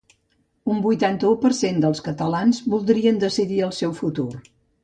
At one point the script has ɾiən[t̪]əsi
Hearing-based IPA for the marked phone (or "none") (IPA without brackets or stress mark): d̪